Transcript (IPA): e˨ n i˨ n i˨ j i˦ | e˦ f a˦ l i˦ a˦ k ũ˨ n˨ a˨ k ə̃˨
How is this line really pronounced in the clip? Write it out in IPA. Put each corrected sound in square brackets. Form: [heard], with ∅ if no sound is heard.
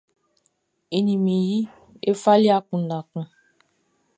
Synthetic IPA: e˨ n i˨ [m] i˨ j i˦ | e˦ f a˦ l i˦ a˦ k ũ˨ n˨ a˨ k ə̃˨